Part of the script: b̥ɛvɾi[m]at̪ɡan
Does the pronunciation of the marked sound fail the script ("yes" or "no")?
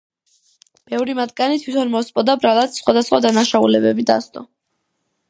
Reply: no